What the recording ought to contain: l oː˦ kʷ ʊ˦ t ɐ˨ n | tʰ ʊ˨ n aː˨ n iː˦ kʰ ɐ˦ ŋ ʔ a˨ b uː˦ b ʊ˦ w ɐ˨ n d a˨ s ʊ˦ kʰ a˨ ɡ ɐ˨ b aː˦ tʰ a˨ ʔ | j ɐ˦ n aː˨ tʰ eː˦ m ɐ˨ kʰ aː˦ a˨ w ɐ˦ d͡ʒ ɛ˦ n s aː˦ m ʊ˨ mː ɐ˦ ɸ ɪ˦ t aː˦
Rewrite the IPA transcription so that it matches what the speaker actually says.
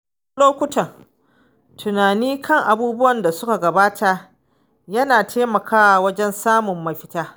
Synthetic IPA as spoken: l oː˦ kʷ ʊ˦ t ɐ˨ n | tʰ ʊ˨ n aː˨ n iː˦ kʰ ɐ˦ ŋ ʔ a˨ b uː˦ b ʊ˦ w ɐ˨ n d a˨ s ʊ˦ k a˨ ɡ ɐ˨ b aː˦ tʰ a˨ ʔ | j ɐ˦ n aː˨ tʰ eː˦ m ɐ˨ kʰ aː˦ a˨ w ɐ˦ d͡ʒ ɛ˦ n s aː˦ m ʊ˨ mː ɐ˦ ɸ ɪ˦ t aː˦